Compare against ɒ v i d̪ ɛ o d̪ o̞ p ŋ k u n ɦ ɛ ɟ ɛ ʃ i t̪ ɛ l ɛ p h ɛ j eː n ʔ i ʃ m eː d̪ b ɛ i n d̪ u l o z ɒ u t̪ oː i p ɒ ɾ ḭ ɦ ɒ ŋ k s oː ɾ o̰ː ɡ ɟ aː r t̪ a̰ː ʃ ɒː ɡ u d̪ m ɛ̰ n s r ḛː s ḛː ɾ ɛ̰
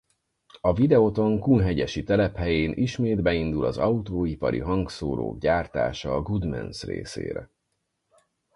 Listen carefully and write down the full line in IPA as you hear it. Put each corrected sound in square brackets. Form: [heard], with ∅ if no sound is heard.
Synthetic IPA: ɒ v i d̪ ɛ o [t̪] o̞ [∅] ŋ k u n ɦ ɛ ɟ ɛ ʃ i t̪ ɛ l ɛ p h ɛ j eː n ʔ i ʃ m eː d̪ b ɛ i n d̪ u l [ɒ] z ɒ u t̪ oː i p ɒ ɾ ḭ ɦ ɒ ŋ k s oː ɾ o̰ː ɡ ɟ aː r t̪ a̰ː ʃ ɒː ɡ u d̪ m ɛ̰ n s r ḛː s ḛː ɾ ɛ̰